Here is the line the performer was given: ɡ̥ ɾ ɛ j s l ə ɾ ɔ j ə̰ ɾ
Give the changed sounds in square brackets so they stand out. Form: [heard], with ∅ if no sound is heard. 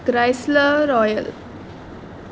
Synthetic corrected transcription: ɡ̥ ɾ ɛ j s l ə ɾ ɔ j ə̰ [l]